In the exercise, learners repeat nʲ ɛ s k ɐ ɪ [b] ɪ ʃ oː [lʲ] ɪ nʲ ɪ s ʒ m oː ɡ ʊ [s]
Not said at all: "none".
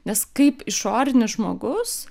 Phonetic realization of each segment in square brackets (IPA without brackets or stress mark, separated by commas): p, ɾʲ, s